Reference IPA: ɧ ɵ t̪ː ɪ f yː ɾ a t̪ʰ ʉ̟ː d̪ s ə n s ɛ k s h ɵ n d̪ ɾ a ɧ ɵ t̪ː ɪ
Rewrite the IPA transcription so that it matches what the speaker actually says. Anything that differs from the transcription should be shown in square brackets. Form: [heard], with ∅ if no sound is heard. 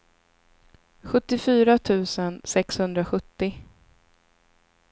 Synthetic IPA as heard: ɧ ɵ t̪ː ɪ f yː ɾ a t̪ʰ ʉ̟ː [∅] s ə n s ɛ k s h ɵ n d̪ ɾ a ɧ ɵ t̪ː ɪ